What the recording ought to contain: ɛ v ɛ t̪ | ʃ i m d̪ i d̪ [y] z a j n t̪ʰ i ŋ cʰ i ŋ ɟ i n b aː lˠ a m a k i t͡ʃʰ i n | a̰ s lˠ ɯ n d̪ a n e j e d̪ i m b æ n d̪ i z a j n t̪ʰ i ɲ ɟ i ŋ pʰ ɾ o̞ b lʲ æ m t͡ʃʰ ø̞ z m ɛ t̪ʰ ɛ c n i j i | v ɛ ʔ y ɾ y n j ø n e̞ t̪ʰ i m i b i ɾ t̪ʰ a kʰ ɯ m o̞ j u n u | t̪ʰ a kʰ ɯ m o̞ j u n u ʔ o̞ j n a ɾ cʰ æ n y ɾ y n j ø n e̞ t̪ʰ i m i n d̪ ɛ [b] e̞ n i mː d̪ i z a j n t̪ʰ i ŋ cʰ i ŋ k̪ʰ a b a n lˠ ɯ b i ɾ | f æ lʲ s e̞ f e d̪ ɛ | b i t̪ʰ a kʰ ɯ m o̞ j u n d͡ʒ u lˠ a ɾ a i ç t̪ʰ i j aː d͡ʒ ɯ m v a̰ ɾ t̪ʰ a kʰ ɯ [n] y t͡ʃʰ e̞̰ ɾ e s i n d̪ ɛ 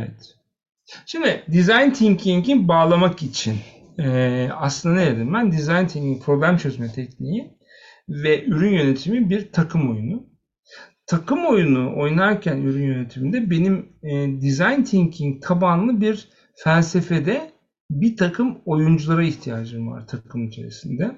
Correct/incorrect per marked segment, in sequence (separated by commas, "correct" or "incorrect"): incorrect, correct, incorrect